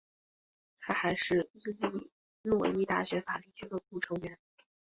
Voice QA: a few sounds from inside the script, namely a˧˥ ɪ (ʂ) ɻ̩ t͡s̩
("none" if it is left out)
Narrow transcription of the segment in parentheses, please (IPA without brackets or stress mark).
ʂ